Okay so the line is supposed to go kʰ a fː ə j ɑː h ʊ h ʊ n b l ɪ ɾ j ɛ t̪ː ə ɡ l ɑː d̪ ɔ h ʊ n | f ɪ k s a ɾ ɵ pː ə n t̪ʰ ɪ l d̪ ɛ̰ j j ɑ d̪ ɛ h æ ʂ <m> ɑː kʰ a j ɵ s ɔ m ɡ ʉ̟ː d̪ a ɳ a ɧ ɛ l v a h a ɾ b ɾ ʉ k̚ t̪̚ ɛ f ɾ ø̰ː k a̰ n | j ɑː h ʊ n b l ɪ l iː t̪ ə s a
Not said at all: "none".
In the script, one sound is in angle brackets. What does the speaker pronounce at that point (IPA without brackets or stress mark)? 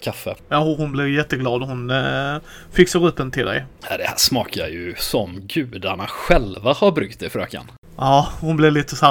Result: m